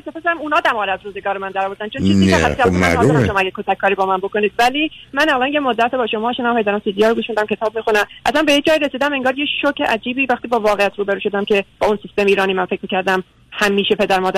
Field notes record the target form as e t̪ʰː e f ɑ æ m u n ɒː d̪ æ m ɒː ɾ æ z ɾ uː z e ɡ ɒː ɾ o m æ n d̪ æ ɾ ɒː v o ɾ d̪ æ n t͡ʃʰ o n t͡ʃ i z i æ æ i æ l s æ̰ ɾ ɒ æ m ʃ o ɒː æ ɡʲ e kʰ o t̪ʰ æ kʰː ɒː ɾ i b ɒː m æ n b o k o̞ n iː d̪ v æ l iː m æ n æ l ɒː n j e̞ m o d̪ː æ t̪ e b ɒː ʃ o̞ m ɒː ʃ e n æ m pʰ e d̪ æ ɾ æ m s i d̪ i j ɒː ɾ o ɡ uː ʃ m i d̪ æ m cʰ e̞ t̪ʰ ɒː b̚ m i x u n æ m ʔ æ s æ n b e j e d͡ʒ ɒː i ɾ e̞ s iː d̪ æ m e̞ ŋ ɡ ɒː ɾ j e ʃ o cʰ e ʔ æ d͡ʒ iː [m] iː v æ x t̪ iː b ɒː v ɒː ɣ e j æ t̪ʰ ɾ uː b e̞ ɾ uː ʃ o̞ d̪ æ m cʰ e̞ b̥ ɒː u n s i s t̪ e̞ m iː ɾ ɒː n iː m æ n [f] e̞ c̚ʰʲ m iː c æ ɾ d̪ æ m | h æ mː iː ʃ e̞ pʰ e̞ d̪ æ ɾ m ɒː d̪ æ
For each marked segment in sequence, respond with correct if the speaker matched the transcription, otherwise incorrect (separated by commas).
incorrect, correct